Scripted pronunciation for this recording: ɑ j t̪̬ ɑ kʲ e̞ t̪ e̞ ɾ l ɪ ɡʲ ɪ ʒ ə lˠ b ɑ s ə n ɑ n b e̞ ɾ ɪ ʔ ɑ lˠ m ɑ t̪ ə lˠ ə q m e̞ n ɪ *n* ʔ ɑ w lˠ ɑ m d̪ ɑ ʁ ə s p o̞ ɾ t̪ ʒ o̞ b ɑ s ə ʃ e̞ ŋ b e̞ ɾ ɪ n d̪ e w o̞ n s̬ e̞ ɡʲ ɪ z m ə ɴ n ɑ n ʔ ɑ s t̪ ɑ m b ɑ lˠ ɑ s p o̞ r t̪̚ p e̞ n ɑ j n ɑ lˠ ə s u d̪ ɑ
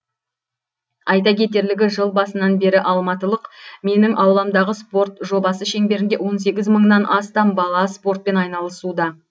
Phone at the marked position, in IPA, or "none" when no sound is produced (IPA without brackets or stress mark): ŋ